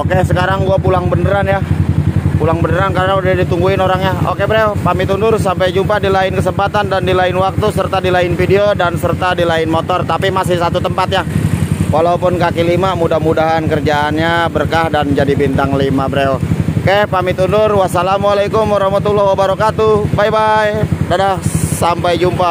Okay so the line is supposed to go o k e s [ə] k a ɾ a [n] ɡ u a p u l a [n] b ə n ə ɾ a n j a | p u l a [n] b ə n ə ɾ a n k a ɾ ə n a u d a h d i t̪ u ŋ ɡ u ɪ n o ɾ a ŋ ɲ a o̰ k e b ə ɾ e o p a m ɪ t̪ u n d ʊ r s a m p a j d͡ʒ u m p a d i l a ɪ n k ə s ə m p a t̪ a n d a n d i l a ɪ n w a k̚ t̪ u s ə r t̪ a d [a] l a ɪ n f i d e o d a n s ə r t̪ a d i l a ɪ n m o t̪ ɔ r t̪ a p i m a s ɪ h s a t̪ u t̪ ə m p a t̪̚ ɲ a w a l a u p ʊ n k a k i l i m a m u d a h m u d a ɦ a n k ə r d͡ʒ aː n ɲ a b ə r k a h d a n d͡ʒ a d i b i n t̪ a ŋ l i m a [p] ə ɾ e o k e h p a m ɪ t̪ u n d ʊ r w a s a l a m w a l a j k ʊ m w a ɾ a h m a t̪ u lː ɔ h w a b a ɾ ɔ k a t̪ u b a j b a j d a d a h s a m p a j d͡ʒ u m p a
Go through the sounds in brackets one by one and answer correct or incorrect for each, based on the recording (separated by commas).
correct, incorrect, incorrect, incorrect, incorrect, incorrect